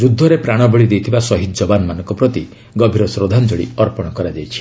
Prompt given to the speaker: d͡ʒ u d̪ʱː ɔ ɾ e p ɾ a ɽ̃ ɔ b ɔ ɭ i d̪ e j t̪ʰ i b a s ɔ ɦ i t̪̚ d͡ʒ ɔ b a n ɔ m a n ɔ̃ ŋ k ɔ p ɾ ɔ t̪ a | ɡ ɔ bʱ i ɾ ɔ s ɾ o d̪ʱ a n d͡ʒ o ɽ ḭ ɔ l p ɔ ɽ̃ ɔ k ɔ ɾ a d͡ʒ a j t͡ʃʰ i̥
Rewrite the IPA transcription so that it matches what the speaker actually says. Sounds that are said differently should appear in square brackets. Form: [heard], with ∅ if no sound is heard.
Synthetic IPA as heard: d͡ʒ u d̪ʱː ɔ ɾ e p ɾ a ɽ̃ ɔ b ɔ ɭ i d̪ e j t̪ʰ i b a s ɔ ɦ i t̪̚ d͡ʒ ɔ b a n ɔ m a n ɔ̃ ŋ k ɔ p ɾ ɔ t̪ [i] | ɡ ɔ bʱ i ɾ ɔ s ɾ o d̪ʱ a n d͡ʒ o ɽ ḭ ɔ [ɾ] p ɔ ɽ̃ ɔ k ɔ ɾ a d͡ʒ a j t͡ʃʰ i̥